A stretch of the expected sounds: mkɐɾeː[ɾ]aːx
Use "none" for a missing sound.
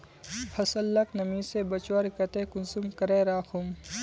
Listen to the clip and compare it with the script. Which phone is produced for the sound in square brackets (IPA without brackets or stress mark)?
ɾ